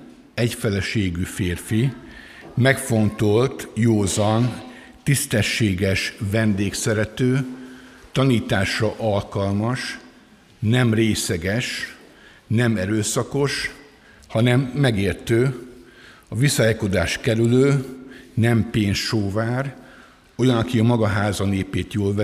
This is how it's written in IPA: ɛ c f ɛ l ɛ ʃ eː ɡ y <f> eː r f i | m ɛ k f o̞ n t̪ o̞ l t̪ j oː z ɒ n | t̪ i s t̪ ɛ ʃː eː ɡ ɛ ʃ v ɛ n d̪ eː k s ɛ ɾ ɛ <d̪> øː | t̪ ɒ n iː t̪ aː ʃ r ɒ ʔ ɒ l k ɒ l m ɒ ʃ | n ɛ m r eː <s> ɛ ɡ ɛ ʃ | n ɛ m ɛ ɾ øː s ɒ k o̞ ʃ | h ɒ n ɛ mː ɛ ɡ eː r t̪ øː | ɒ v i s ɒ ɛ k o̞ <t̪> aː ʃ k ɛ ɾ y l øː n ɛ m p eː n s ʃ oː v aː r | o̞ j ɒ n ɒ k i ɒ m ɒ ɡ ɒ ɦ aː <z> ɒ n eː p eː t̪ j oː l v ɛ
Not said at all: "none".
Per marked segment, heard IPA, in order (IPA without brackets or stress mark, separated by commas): f, t̪, s, d̪, z